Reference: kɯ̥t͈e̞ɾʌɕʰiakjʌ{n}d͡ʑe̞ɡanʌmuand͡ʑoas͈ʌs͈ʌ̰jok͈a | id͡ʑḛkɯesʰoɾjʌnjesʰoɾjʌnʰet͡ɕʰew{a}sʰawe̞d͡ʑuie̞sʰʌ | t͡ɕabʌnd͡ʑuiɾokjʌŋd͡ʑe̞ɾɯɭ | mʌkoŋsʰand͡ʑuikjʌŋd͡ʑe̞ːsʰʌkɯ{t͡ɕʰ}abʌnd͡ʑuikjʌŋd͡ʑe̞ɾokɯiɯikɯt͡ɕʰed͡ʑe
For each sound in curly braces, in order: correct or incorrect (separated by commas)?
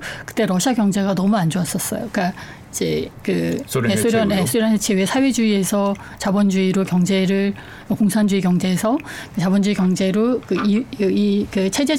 incorrect, incorrect, incorrect